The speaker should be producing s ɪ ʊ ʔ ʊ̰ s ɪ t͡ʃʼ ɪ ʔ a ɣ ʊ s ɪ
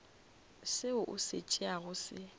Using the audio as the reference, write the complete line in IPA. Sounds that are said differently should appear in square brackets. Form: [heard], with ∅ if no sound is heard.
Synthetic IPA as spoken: s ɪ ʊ ʔ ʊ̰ s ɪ t͡ʃʼ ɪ [∅] a ɣ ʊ s ɪ